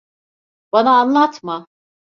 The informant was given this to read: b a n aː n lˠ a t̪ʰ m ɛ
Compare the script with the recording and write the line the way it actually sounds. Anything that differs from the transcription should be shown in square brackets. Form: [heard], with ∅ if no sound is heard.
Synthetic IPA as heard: b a n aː n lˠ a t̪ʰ m [a]